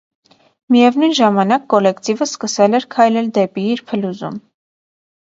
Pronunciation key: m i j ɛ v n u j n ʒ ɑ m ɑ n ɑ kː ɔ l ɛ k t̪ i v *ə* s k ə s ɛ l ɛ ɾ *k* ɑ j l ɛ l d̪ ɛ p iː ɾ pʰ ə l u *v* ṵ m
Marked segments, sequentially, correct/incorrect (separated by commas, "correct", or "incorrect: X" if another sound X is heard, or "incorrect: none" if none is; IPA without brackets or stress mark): correct, incorrect: kʰ, incorrect: z